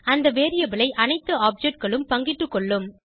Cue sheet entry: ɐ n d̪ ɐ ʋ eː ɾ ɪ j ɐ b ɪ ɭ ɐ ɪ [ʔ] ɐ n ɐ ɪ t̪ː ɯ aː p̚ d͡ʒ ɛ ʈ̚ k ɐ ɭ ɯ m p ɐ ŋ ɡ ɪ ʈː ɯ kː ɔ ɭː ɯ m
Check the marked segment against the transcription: correct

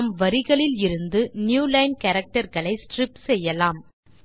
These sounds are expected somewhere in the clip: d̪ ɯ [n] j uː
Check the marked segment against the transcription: correct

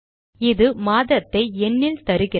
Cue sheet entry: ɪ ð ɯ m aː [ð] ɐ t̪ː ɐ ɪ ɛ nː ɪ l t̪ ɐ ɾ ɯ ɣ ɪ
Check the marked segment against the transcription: correct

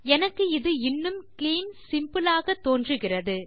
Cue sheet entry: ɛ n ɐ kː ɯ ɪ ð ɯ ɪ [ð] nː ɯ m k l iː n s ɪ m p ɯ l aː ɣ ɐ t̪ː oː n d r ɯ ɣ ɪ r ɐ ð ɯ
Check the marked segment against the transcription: incorrect: none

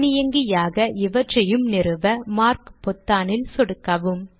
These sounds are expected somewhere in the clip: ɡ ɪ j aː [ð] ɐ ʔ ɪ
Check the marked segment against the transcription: incorrect: ɣ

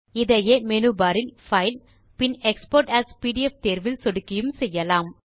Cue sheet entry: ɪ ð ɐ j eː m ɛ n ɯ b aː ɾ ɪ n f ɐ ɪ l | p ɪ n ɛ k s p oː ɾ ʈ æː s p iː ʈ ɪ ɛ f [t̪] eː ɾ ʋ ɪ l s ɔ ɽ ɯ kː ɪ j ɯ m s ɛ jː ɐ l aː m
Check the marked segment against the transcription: correct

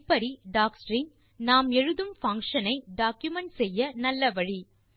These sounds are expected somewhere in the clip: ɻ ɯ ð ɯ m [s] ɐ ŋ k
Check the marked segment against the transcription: incorrect: f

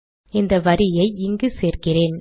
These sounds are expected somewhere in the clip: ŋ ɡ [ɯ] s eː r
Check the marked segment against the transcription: correct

